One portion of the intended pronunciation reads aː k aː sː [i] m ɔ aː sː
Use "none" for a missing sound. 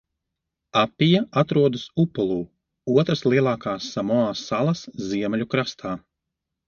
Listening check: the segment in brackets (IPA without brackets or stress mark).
a